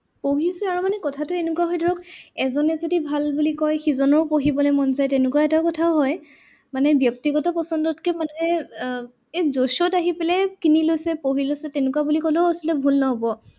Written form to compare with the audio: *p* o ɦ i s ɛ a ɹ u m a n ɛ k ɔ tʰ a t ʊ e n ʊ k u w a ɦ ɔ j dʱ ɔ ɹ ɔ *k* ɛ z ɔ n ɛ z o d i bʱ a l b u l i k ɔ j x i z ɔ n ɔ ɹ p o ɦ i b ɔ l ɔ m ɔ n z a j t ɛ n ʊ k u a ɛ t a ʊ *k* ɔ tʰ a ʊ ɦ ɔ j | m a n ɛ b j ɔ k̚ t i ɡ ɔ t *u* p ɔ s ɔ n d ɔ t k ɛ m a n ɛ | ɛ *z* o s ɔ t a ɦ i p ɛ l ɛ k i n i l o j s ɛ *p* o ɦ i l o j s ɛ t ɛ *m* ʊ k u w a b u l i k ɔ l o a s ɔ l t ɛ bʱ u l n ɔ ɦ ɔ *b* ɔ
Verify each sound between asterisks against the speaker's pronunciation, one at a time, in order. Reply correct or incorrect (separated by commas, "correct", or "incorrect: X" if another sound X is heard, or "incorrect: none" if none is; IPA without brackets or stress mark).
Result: correct, correct, correct, incorrect: ɔ, correct, correct, incorrect: n, correct